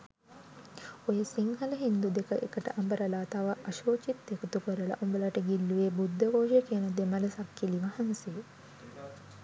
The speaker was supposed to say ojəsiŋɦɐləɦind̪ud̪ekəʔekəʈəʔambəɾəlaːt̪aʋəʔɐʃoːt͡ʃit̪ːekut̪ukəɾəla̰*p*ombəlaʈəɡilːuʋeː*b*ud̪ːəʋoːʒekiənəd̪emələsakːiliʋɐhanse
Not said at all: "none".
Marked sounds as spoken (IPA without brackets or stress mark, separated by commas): ʔ, b